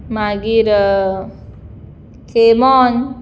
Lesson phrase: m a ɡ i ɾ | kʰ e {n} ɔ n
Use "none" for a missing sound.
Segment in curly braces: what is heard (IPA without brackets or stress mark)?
m